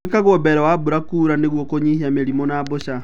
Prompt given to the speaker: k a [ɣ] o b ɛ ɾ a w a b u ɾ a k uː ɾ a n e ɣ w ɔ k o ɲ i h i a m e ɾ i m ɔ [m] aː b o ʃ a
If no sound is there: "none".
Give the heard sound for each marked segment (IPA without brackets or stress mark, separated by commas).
ɣ, n